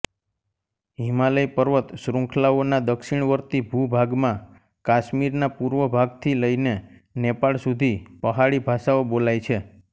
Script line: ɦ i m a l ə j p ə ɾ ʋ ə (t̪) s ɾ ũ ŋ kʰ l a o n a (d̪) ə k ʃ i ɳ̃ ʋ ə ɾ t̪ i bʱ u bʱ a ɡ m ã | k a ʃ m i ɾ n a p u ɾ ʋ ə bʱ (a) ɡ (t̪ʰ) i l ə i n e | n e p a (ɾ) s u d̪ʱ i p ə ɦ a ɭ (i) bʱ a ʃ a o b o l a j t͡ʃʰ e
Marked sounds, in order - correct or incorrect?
correct, correct, correct, correct, incorrect: ɭ, correct

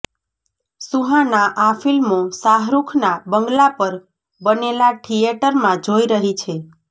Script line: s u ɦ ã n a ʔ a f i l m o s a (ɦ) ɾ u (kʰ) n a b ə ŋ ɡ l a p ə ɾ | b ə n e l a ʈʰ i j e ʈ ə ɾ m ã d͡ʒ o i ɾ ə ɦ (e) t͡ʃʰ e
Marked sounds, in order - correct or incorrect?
correct, correct, incorrect: i

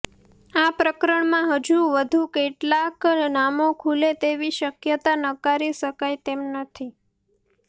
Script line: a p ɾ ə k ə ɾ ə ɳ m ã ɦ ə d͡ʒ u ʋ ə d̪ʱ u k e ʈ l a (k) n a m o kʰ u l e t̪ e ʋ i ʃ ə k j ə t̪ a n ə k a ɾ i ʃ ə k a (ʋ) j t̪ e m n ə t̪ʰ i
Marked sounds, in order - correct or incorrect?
correct, incorrect: none

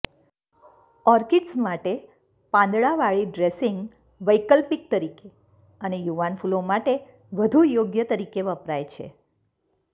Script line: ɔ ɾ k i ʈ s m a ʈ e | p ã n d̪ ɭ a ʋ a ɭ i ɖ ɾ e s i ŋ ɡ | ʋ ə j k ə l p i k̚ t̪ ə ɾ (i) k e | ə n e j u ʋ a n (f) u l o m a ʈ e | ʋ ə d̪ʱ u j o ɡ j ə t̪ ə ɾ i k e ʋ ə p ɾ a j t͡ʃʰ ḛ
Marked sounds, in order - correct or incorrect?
correct, correct

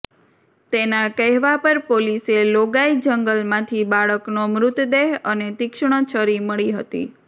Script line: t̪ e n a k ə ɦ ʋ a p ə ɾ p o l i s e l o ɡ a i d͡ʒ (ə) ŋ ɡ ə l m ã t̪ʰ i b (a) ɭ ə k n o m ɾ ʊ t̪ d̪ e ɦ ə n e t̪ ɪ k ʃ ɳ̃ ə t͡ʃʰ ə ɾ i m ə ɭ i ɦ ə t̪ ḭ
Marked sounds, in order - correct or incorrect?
correct, correct

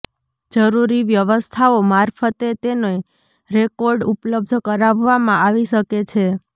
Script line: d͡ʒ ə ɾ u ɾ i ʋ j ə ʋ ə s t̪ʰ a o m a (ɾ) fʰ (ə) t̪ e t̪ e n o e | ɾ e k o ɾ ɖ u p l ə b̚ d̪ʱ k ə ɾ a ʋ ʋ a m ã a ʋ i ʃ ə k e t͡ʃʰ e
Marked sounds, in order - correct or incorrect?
correct, correct

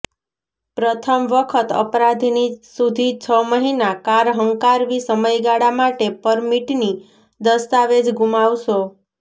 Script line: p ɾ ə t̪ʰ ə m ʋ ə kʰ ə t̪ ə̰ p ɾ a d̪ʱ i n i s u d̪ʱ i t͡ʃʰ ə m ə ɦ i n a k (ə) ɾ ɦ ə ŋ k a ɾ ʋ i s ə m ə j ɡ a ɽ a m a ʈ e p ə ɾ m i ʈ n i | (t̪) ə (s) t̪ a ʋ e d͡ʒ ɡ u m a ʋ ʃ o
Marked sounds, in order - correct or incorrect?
incorrect: a, incorrect: d̪, correct

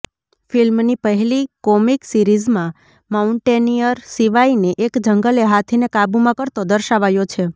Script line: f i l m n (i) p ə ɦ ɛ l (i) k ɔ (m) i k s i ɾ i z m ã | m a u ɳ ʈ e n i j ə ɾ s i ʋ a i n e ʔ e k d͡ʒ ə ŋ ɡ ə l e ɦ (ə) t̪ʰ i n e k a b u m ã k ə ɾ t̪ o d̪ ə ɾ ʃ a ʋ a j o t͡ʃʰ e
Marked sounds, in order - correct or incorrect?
correct, correct, correct, incorrect: a

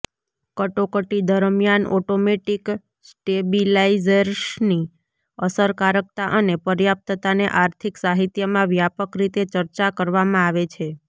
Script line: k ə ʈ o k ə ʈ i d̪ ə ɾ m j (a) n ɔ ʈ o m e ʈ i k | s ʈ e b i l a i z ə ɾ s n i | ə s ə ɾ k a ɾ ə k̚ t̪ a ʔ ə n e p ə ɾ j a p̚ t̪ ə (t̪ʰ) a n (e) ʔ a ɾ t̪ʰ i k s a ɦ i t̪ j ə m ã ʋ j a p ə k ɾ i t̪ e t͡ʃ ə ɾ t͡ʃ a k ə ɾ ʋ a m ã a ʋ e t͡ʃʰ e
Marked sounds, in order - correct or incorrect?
correct, incorrect: t̪, correct

